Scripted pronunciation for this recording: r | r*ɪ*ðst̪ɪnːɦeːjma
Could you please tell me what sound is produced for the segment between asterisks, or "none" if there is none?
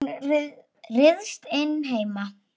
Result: ɪ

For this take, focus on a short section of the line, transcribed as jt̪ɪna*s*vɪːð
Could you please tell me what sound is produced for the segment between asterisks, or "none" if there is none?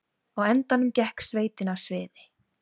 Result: s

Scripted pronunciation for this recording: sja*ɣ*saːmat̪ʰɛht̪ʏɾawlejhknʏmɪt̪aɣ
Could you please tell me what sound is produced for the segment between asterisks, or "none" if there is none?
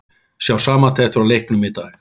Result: w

